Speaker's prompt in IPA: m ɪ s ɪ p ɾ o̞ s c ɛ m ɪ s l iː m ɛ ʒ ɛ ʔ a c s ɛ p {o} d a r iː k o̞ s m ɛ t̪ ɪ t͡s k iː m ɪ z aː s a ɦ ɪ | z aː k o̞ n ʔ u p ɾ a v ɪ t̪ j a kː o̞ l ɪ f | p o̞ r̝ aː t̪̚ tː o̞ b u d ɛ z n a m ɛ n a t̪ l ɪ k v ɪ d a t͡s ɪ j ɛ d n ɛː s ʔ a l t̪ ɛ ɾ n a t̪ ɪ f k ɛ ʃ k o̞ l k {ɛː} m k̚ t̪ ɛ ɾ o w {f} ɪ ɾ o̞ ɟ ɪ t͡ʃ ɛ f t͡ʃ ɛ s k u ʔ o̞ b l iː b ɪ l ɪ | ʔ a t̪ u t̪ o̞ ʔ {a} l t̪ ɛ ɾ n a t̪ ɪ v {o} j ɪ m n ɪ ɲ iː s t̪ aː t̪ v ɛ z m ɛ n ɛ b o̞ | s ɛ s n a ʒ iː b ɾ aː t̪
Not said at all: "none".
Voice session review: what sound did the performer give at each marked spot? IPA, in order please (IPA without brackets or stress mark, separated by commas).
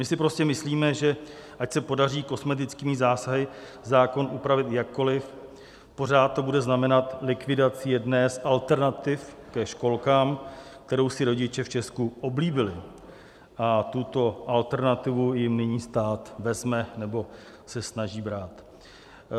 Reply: o, aː, s, a, u